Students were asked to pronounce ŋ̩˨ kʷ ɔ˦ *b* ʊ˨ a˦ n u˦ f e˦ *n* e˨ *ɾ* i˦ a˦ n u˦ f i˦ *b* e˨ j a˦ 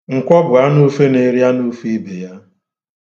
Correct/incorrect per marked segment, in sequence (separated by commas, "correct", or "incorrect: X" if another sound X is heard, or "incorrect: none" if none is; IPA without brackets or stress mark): correct, correct, correct, correct